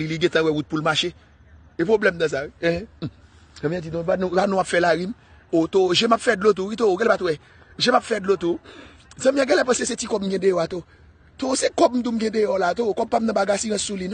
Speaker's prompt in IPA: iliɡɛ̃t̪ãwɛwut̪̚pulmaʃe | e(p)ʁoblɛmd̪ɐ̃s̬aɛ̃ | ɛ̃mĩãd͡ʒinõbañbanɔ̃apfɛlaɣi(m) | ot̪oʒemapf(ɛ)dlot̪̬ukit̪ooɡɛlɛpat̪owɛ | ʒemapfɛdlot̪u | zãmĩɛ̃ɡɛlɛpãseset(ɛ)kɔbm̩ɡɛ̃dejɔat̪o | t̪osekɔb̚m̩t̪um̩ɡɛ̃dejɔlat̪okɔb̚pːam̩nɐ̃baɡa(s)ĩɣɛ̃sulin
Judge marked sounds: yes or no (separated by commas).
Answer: yes, yes, yes, no, yes